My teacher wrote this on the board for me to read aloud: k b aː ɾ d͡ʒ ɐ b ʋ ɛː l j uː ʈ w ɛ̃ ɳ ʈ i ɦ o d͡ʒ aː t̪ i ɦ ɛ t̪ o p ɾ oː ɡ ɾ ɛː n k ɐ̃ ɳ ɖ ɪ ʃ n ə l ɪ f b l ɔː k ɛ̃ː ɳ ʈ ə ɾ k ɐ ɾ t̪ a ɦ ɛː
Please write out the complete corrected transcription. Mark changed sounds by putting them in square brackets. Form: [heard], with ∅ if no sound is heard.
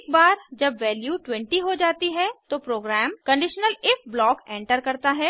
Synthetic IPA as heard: k b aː ɾ d͡ʒ ɐ b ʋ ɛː l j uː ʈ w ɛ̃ ɳ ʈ i ɦ o d͡ʒ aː t̪ i ɦ ɛ t̪ o p ɾ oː ɡ ɾ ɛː [m] k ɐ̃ ɳ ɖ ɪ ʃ n ə l ɪ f b l ɔː k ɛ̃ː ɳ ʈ ə ɾ k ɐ ɾ t̪ a ɦ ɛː